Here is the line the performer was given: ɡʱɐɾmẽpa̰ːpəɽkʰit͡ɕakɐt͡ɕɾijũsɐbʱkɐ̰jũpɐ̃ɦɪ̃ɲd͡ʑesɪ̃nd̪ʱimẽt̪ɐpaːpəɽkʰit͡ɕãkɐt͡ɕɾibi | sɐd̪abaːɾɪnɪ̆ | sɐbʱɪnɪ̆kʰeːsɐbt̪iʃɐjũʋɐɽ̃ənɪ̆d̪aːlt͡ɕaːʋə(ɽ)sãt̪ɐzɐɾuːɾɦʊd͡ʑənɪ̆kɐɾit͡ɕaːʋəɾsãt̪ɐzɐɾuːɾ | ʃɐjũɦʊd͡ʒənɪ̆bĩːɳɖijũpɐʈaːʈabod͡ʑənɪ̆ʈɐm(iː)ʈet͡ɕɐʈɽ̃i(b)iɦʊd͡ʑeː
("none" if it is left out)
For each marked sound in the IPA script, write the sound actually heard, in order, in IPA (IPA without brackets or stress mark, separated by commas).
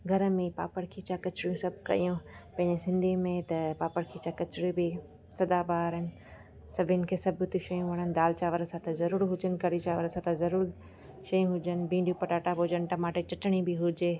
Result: ɾ, aː, b